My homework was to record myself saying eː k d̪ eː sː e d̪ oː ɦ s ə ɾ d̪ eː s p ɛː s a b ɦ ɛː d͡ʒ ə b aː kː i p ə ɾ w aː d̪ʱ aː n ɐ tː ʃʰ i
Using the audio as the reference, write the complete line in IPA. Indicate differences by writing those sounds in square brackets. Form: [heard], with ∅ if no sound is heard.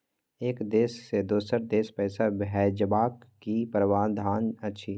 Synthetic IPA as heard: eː k d̪ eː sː e d̪ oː [∅] s ə ɾ d̪ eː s p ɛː s a b ɦ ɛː d͡ʒ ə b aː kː i p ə ɾ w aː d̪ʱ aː n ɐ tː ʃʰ i